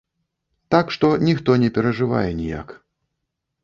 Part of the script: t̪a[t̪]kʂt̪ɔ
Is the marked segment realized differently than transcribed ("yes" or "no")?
yes